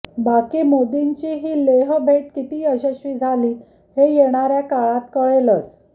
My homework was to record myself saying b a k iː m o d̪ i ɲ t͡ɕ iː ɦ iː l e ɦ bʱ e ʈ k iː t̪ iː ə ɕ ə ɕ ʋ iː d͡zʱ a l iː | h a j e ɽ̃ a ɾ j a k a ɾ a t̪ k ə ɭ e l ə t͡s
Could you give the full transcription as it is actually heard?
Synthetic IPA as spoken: b a k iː m o d̪ i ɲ t͡ɕ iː ɦ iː l e ɦ bʱ e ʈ k i t̪ iː ə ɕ ə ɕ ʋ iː d͡zʱ a l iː | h e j e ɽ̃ a ɾ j a k a ɭ a t̪ k ə ɭ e l ə t͡s